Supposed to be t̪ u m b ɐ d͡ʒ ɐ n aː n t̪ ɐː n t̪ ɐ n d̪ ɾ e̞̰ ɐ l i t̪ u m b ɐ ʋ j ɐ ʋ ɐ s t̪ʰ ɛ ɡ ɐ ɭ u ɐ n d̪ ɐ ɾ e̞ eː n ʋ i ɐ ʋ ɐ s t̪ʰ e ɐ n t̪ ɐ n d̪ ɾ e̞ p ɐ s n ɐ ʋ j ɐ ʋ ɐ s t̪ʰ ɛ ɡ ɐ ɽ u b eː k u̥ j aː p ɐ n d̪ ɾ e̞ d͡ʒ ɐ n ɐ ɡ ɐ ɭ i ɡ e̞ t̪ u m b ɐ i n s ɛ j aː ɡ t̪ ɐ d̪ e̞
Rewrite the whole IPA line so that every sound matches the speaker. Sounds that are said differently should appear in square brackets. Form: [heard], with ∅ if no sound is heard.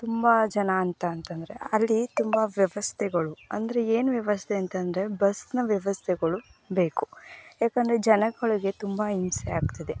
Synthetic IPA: t̪ u m b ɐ d͡ʒ ɐ n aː n t̪ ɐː n t̪ ɐ n d̪ ɾ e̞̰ ɐ [lː] i t̪ u m b ɐ ʋ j ɐ ʋ ɐ s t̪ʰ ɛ ɡ ɐ ɭ u ɐ n d̪ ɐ ɾ e̞ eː n ʋ [j] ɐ ʋ ɐ s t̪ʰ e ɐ n t̪ ɐ n d̪ ɾ e̞ [b] ɐ s n ɐ ʋ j ɐ ʋ ɐ s t̪ʰ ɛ ɡ ɐ [ɭ] u b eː k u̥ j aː [k] ɐ n d̪ ɾ e̞ d͡ʒ ɐ n ɐ ɡ ɐ ɭ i ɡ e̞ t̪ u m b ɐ i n s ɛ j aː ɡ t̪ ɐ d̪ e̞

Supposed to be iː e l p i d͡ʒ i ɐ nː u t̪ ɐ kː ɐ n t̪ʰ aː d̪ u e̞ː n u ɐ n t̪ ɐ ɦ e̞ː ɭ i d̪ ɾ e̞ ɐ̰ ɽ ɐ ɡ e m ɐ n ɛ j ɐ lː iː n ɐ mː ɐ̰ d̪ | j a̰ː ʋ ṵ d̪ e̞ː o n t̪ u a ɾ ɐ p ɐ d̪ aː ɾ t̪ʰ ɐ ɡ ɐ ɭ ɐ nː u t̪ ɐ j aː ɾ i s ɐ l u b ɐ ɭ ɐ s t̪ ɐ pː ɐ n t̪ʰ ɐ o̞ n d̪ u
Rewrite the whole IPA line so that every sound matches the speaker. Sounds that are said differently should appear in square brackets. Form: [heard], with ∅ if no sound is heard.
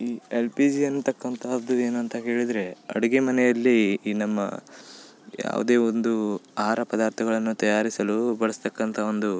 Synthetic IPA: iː e l p i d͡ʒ i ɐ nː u t̪ ɐ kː ɐ n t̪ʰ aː d̪ u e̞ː n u ɐ n t̪ ɐ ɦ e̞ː ɭ i d̪ ɾ e̞ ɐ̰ ɽ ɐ ɡ e m ɐ n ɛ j ɐ lː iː n ɐ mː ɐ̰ [∅] | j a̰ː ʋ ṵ d̪ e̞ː o n [d̪] u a ɾ ɐ p ɐ d̪ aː ɾ t̪ʰ ɐ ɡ ɐ ɭ ɐ nː u t̪ ɐ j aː ɾ i s ɐ l u b ɐ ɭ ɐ s t̪ ɐ [kː] ɐ n t̪ʰ ɐ o̞ n d̪ u

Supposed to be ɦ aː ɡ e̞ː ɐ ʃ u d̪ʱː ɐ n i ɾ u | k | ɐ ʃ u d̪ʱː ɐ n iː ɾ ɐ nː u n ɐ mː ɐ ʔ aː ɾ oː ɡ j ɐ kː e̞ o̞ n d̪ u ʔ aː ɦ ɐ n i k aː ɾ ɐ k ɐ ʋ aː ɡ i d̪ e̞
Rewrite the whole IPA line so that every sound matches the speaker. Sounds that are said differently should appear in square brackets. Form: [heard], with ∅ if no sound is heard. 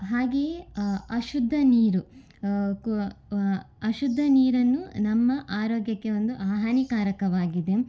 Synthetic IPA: ɦ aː ɡ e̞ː ɐ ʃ u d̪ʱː ɐ n [iː] ɾ u | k | ɐ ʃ u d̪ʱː ɐ n iː ɾ ɐ nː u n ɐ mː ɐ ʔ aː ɾ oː ɡ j ɐ kː e̞ o̞ n d̪ u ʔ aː ɦ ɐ n i k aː ɾ ɐ k ɐ ʋ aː ɡ i d̪ e̞

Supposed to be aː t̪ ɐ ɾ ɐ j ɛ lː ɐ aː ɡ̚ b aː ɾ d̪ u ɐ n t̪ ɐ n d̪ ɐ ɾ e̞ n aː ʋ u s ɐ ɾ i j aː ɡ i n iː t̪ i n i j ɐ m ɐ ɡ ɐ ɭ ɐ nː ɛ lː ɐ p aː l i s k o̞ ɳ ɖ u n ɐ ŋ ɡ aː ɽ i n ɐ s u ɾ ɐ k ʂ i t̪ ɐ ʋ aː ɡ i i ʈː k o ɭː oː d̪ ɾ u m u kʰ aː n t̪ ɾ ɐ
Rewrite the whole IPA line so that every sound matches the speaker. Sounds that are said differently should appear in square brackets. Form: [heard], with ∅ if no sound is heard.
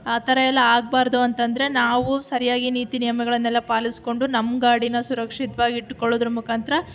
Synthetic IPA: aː t̪ ɐ ɾ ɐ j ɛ lː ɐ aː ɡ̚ b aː ɾ d̪ u ɐ n t̪ ɐ n d̪ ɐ ɾ e̞ n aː ʋ u s ɐ ɾ i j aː ɡ i n iː t̪ i n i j ɐ m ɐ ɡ ɐ ɭ ɐ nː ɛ lː ɐ p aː l i s k o̞ ɳ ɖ u n ɐ [m] ɡ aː ɽ i n ɐ s u ɾ ɐ k ʂ i t̪ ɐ ʋ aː ɡ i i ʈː k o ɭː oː d̪ ɾ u m u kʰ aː n t̪ ɾ ɐ

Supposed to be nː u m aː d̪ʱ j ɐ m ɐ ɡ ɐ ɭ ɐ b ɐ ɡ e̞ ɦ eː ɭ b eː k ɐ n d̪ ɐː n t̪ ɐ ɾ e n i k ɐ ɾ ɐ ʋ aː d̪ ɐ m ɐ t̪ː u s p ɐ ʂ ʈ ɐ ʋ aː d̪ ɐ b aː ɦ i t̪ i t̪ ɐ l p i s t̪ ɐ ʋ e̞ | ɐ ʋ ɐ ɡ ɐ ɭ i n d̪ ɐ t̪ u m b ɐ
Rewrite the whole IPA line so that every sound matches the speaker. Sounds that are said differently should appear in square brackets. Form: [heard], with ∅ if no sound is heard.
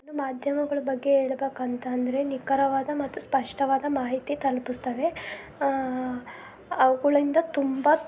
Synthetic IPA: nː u m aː d̪ʱ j ɐ m ɐ ɡ ɐ ɭ ɐ b ɐ [ɡː] e̞ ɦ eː ɭ b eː k ɐ n [t̪] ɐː n [d̪] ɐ ɾ e n i k ɐ ɾ ɐ ʋ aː d̪ ɐ m ɐ t̪ː u s p ɐ ʂ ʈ ɐ ʋ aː d̪ ɐ [m] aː ɦ i t̪ i t̪ ɐ l p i s t̪ ɐ ʋ e̞ | ɐ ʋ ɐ ɡ ɐ ɭ i n d̪ ɐ t̪ u m b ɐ

